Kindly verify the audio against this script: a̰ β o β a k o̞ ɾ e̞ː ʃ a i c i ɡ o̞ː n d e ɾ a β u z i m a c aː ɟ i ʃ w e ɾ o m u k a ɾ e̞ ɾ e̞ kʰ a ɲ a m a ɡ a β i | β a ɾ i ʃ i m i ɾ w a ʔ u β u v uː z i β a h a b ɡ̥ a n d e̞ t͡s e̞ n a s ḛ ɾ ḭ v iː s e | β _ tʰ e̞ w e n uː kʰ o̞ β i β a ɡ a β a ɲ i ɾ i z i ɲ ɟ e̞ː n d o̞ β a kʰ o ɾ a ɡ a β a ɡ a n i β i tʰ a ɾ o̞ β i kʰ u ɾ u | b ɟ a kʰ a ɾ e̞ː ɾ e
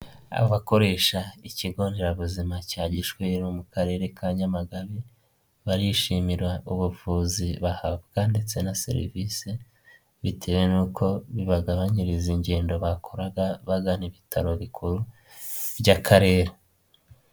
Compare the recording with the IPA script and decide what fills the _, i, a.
i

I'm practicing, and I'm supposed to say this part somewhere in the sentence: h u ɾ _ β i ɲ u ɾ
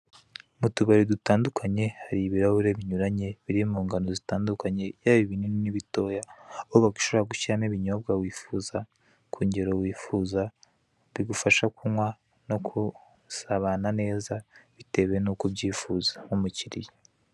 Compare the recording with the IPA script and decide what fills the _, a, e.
e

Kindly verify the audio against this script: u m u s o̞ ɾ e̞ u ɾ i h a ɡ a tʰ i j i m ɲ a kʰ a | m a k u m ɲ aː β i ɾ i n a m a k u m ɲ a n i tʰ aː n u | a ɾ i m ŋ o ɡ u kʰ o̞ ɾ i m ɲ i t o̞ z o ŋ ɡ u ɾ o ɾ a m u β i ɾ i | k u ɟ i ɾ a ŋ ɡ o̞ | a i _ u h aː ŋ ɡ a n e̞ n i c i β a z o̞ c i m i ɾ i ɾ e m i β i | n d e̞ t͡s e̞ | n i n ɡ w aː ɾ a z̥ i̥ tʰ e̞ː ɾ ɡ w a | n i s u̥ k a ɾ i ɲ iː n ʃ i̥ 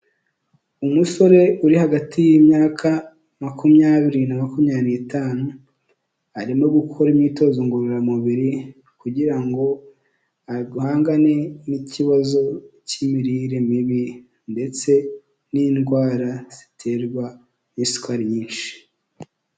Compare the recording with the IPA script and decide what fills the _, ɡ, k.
ɡ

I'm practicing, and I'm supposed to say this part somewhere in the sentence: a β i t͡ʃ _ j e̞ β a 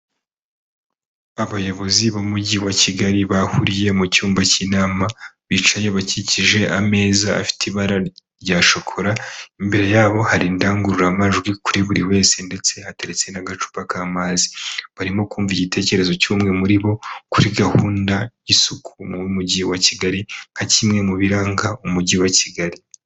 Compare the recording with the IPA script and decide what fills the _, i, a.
a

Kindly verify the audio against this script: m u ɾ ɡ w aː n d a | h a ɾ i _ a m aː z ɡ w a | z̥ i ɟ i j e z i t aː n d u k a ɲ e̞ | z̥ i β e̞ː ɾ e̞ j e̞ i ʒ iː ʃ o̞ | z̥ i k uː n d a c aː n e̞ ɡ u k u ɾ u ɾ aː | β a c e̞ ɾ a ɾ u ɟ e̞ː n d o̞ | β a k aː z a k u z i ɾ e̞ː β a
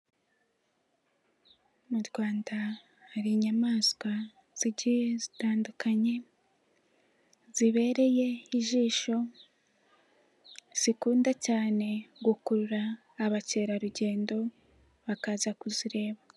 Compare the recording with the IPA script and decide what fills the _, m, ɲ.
ɲ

